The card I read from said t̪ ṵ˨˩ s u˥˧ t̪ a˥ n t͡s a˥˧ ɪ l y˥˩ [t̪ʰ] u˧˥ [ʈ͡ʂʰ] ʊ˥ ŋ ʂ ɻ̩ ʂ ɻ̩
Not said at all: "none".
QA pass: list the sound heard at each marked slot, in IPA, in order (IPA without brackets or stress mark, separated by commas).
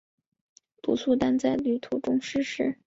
t̪ʰ, ʈ͡ʂ